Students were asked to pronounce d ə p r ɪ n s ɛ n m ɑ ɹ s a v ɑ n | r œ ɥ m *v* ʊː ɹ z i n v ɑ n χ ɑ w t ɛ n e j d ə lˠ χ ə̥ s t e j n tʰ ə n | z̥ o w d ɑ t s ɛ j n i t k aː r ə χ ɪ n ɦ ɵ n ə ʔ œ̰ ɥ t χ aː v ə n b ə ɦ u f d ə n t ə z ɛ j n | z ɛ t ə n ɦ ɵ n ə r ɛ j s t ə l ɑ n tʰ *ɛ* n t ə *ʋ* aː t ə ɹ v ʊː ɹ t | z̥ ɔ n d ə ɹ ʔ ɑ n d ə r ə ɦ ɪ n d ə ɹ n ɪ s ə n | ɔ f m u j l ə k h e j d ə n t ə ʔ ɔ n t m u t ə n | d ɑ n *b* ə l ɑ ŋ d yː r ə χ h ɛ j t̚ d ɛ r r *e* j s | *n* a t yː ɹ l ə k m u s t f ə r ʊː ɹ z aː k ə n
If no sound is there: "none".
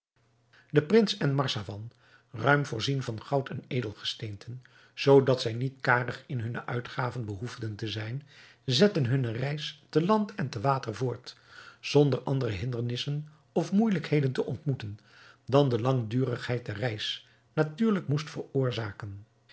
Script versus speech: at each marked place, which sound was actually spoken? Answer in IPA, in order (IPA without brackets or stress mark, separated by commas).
v, ɛ, ʋ, d, ɛ, n